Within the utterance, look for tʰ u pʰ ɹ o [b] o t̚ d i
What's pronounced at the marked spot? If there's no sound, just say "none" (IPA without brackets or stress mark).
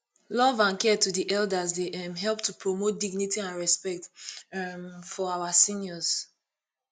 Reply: m